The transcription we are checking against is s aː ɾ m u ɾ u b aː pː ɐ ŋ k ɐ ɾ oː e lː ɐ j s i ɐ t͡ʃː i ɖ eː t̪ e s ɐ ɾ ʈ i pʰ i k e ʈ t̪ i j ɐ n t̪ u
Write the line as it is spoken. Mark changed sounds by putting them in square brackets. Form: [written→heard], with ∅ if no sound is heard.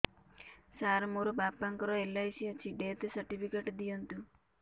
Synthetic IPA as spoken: s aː ɾ m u ɾ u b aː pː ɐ ŋ k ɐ ɾ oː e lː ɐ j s i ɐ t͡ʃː i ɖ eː t̪ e s ɐ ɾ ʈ i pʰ i k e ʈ [t̪→d̪] i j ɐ n t̪ u